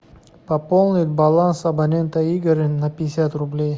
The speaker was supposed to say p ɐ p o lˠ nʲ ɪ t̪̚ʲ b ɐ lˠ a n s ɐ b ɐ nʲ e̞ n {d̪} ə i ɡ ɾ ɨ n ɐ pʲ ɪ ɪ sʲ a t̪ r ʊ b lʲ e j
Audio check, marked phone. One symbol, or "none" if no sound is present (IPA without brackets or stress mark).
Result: t̪